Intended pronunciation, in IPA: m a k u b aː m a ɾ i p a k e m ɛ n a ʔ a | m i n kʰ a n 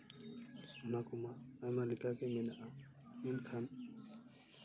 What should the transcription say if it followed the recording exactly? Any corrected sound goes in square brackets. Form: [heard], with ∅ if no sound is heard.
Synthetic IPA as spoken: m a k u [m] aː m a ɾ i [k] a k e m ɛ n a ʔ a | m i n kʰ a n

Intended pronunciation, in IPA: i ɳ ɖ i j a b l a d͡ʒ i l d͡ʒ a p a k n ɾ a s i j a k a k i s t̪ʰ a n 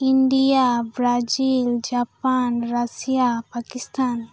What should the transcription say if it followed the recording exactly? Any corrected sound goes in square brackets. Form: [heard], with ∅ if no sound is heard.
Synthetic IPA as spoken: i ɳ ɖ i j a b [ɾ] a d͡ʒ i l d͡ʒ a p a [∅] n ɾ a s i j a [p] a k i s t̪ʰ a n

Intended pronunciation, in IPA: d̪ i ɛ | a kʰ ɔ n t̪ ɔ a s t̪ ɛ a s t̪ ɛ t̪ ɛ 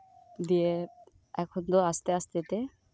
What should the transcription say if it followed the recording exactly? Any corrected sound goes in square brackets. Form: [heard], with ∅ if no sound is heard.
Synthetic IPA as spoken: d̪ i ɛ | [ɛ] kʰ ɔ n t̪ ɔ a s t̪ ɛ a s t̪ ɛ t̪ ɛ

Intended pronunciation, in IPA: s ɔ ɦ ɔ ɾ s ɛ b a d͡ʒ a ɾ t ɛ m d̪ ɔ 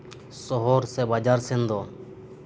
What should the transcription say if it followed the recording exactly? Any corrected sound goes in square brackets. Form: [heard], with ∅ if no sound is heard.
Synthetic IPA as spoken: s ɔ ɦ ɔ ɾ s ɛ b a d͡ʒ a ɾ [s] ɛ [n] d̪ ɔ

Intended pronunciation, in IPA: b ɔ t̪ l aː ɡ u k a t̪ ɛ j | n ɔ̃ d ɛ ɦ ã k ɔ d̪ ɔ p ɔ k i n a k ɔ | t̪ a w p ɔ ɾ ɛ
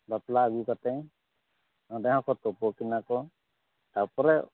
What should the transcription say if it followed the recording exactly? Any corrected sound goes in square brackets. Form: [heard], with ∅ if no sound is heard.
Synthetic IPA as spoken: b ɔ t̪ l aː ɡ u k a t̪ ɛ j | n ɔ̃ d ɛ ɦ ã k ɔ [t̪] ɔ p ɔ k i n a k ɔ | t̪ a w p ɔ ɾ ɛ

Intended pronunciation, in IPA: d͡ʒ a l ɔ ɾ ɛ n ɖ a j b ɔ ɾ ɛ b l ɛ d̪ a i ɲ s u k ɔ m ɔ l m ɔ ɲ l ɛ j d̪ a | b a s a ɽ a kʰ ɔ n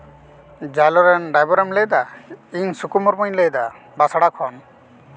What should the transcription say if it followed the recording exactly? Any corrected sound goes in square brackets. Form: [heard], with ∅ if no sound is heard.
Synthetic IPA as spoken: d͡ʒ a l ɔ ɾ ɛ n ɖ a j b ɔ ɾ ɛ [m] l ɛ d̪ a i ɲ s u k [u] m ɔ [ɾ] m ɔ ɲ l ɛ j d̪ a | b a s a ɽ a kʰ ɔ n

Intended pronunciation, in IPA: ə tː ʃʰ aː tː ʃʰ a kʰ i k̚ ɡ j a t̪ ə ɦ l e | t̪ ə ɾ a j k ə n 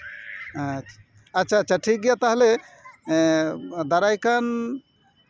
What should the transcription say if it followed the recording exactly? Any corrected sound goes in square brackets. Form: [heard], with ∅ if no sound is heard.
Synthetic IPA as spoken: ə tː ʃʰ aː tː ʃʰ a [ʈʰ] i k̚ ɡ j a t̪ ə ɦ l e | [d̪] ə ɾ a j k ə n

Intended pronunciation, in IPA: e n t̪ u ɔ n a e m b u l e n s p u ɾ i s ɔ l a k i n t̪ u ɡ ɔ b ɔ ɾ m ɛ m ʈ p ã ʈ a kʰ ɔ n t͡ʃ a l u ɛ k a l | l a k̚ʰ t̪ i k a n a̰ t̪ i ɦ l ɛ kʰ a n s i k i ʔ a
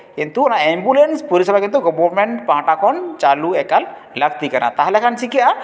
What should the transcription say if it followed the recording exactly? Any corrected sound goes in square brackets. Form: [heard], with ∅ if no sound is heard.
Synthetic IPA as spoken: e n t̪ u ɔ n a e m b u l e n s p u ɾ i s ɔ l a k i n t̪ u ɡ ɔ b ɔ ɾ m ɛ [ɳ] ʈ p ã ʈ a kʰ ɔ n t͡ʃ a l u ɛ k a l | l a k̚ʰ t̪ i k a n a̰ t̪ [a] ɦ l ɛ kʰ a n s i k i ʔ a

